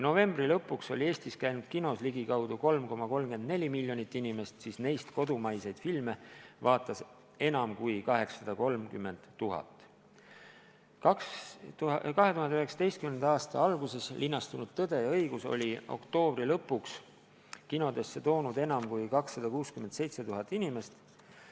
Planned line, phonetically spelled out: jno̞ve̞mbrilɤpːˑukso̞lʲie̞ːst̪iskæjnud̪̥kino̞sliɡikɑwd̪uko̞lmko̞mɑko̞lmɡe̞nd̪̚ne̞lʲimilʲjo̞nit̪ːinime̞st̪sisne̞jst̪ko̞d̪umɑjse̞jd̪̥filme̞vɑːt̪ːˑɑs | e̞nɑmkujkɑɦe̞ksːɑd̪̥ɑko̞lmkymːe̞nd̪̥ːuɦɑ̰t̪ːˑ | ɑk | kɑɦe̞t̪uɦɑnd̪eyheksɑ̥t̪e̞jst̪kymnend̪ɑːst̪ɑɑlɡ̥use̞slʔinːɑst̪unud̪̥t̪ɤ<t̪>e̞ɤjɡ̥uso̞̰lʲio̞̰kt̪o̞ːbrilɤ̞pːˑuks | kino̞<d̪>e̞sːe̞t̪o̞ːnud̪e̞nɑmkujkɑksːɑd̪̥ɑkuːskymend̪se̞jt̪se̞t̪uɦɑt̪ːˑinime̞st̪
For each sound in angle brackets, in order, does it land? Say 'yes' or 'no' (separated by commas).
no, yes